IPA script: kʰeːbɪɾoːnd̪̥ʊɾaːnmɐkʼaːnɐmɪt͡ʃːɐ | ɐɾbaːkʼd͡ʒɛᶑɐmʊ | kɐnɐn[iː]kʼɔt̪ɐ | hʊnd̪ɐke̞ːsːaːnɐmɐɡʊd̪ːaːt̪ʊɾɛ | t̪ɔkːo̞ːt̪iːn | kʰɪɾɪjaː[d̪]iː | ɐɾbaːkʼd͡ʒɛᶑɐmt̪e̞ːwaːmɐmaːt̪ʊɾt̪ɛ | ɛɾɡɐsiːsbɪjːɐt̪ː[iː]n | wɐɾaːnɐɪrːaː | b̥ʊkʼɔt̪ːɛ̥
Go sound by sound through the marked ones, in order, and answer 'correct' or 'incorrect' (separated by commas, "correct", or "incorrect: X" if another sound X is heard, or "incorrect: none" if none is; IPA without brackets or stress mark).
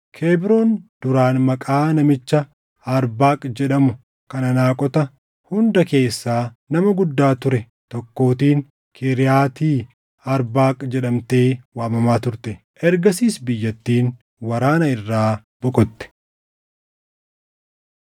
incorrect: aː, incorrect: t̪, correct